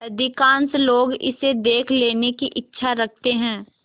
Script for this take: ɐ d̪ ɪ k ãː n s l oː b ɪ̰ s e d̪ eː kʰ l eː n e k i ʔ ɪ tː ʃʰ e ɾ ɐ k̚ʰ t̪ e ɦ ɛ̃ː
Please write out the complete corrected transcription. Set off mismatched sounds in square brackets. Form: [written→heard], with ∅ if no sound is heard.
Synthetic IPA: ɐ d̪ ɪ k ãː n s l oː [b→ɡ] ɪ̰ s e d̪ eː kʰ l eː n e k i ʔ ɪ tː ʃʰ [e→a] ɾ ɐ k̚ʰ t̪ e ɦ ɛ̃ː